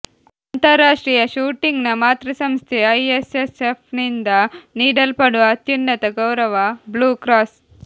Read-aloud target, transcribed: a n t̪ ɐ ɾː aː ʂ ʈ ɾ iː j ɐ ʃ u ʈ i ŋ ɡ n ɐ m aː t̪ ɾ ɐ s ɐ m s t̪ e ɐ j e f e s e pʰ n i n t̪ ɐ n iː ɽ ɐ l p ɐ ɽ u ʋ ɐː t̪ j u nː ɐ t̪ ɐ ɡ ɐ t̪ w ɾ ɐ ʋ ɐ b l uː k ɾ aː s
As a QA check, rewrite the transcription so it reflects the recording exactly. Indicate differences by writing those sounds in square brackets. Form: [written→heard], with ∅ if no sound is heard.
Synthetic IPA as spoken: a n t̪ ɐ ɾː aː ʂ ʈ ɾ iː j ɐ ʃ [u→uː] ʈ i ŋ ɡ n ɐ m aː t̪ ɾ ɐ s ɐ m s [t̪→t̪ʰ] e ɐ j e [f→s] e s e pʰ n i n [t̪→d̪] ɐ n iː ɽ ɐ l p ɐ ɽ u ʋ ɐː t̪ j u nː ɐ t̪ ɐ ɡ ɐ [t̪→∅] w ɾ ɐ ʋ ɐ b l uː k ɾ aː s